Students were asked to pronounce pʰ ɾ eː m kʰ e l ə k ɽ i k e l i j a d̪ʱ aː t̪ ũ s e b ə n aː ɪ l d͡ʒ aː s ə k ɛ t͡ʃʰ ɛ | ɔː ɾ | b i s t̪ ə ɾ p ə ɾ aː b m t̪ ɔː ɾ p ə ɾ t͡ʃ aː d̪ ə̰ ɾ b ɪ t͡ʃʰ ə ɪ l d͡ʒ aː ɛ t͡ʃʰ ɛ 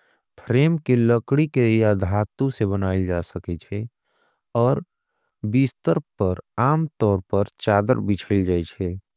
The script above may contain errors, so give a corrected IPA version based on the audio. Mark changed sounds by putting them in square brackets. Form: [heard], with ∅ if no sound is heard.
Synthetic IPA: pʰ ɾ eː m [k] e l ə k ɽ i k e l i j a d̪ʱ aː t̪ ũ s e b ə n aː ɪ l d͡ʒ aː s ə k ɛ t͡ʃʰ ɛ | ɔː ɾ | b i s t̪ ə ɾ p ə ɾ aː [∅] m t̪ ɔː ɾ p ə ɾ t͡ʃ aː d̪ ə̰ ɾ b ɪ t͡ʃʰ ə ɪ l d͡ʒ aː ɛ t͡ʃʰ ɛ